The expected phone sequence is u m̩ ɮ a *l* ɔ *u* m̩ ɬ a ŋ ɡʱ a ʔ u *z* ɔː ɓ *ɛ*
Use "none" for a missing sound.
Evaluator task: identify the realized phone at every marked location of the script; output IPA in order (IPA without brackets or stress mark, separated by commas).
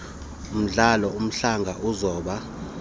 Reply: l, u, z, a